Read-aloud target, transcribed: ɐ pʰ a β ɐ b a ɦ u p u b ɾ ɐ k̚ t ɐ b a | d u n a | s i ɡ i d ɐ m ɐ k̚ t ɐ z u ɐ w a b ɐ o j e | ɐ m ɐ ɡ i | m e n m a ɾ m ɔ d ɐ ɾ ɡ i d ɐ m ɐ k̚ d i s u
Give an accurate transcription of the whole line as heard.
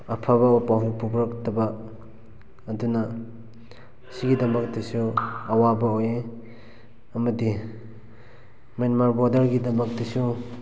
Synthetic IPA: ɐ pʰ a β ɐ p a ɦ u p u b ɾ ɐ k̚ t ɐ b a | d u n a | s i ɡ i d ɐ m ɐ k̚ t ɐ s u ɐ w a b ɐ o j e | ɐ m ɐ d i | m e n m a ɾ b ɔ d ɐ ɾ ɡ i d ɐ m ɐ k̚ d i s u

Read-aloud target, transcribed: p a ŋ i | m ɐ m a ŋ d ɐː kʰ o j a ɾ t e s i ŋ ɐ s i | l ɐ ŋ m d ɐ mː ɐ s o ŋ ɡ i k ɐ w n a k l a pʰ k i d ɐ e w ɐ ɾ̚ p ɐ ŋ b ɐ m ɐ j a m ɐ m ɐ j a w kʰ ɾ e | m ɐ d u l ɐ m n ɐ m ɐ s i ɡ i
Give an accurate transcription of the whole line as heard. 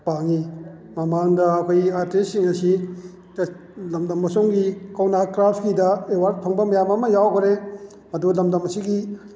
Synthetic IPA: p a ŋ i | m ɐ m a ŋ d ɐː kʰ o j a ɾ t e s i ŋ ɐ s i | l ɐ m d ɐ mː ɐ s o ŋ ɡ i k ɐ w n a k ɾ a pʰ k i d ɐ e w a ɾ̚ pʰ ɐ ŋ b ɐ m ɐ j a m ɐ m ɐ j a w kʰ ɾ e | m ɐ d u l ɐ m d ɐ m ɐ s i ɡ i

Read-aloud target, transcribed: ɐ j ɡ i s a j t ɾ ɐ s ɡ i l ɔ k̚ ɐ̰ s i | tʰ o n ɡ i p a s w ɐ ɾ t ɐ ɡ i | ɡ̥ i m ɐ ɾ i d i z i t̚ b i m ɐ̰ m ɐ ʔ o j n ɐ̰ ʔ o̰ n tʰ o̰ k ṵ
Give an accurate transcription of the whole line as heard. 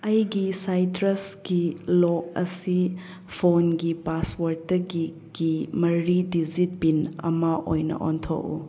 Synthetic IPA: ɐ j ɡ i s a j t ɾ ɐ s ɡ i l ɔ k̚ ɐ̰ s i | pʰ o n ɡ i p a s w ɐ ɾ t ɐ ɡ i | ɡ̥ i m ɐ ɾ i d i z i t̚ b i n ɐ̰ m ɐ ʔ o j n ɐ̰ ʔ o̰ n tʰ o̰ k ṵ

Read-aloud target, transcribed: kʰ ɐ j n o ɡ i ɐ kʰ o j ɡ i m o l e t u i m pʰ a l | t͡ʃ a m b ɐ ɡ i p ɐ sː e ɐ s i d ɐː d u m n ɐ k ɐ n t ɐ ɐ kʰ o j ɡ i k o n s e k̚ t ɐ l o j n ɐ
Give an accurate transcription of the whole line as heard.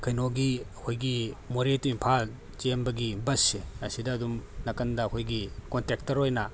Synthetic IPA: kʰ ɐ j n o ɡ i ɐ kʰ o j ɡ i m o ɾ e t u i m pʰ a l | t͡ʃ e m b ɐ ɡ i b ɐ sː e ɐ s i d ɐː d u m n ɐ k ɐ n d ɐ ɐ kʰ o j ɡ i k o n t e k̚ t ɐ ɾ o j n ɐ

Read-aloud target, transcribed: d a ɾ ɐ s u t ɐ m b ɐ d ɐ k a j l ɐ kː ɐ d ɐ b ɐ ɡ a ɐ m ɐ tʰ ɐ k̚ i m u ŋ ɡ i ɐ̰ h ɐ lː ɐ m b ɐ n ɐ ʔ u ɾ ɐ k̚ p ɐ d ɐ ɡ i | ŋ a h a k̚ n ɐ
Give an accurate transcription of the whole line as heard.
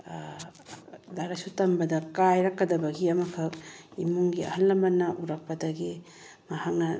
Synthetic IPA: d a ɾ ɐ s u t ɐ m b ɐ d ɐ k a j ɾ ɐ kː ɐ d ɐ b ɐ ɡ i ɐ m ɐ kʰ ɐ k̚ i m u ŋ ɡ i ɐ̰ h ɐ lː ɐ m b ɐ n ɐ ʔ u ɾ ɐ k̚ p ɐ d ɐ ɡ i | m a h a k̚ n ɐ

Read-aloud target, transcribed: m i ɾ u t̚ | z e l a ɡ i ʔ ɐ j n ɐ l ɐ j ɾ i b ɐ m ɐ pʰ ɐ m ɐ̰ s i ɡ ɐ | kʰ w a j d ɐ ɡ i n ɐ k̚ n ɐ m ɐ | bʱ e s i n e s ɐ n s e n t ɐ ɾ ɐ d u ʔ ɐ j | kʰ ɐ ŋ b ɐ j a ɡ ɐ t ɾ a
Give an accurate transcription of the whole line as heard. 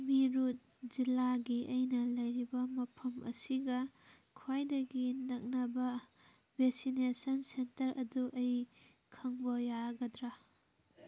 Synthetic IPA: m i ɾ u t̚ | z i l a ɡ i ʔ ɐ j n ɐ l ɐ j ɾ i b ɐ m ɐ pʰ ɐ m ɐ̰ s i ɡ ɐ | kʰ w a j d ɐ ɡ i n ɐ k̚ n ɐ b ɐ | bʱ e s i n e s ɐ n s e n t ɐ ɾ ɐ d u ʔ ɐ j | kʰ ɐ ŋ b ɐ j a ɡ ɐ d ɾ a

